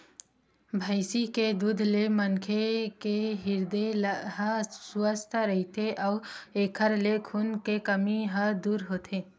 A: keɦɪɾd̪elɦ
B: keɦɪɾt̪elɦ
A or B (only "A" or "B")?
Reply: A